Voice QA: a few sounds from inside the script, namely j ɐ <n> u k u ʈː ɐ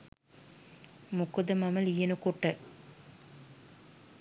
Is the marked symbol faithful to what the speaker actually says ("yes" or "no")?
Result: yes